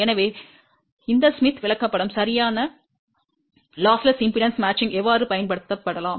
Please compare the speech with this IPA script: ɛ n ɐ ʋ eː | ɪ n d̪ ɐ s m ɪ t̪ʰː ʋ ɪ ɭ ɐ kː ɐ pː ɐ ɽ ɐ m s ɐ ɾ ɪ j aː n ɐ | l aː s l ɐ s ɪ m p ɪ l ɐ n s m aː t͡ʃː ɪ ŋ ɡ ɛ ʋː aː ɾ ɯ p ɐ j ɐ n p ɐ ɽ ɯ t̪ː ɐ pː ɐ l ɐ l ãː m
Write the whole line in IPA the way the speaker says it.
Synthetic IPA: ɛ n ɐ ʋ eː | ɪ n d̪ ɐ s m ɪ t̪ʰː ʋ ɪ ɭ ɐ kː ɐ pː ɐ ɽ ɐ m s ɐ ɾ ɪ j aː n ɐ | l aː s l ɐ s ɪ m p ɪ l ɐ n s m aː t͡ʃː ɪ ŋ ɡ ɛ ʋː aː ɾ ɯ p ɐ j ɐ n p ɐ ɽ ɯ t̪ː ɐ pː ɐ ɽ ɐ l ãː m

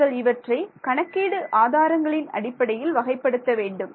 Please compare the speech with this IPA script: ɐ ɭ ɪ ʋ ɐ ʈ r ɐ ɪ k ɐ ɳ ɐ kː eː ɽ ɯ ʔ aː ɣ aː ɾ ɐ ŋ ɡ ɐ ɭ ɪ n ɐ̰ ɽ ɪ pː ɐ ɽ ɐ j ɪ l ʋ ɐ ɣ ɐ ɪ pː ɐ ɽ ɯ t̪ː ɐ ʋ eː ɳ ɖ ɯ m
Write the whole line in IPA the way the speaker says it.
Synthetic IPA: ɐ ɭ ɪ ʋ ɐ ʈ r ɐ ɪ k ɐ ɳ ɐ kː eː ɽ ɯ ʔ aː ð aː ɾ ɐ ŋ ɡ ɐ ɭ ɪ n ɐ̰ ɽ ɪ pː ɐ ɽ ɐ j ɪ l ʋ ɐ ɣ ɐ ɪ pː ɐ ɽ ɯ t̪ː ɐ ʋ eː ɳ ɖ ɯ m

